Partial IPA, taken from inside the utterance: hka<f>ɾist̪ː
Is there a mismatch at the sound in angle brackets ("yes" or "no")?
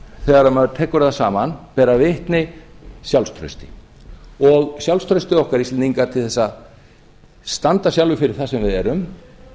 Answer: yes